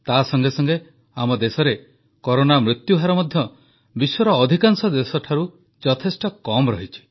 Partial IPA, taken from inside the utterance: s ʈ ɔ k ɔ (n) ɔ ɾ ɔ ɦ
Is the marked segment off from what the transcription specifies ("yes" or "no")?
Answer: yes